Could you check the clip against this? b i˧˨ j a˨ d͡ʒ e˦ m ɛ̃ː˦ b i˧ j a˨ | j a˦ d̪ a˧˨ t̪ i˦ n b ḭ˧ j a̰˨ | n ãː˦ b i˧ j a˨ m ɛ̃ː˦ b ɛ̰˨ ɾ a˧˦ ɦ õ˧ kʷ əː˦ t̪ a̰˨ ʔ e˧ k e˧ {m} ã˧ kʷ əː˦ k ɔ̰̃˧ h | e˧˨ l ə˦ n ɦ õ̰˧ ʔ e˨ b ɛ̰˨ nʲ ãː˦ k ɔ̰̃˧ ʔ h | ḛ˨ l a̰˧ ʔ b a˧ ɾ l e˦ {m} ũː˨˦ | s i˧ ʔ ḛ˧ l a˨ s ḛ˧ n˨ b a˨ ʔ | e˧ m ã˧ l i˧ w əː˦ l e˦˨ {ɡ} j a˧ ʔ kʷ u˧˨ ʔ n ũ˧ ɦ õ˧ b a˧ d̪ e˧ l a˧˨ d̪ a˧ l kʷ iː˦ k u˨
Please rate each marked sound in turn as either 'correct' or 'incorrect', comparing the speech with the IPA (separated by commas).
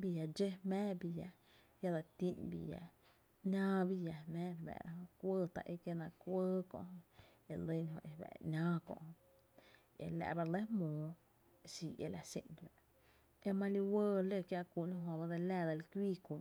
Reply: incorrect, correct, incorrect